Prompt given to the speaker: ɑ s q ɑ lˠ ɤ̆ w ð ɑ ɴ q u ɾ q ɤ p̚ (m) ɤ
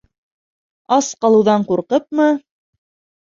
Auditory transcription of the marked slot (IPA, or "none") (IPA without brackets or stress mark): m